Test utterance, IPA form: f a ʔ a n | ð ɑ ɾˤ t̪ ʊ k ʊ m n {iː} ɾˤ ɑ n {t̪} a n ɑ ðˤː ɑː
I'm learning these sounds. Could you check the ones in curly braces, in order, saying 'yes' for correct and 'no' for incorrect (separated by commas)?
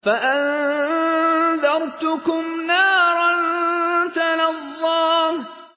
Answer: no, yes